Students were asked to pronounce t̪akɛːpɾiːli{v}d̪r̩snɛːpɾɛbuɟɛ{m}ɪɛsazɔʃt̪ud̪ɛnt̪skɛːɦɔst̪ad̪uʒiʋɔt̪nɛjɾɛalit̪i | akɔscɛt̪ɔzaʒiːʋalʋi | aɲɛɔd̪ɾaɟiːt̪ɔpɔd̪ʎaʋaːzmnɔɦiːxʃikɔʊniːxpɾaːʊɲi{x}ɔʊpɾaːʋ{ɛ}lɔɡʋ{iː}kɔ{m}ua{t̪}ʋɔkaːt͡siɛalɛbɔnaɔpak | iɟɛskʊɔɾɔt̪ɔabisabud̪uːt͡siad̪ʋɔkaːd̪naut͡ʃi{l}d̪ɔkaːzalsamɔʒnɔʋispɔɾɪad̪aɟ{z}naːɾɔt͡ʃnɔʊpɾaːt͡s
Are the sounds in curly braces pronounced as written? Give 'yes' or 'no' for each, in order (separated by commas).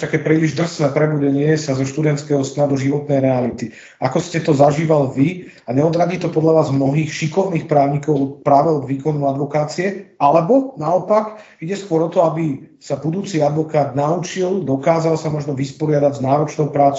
no, no, no, yes, yes, no, no, yes, yes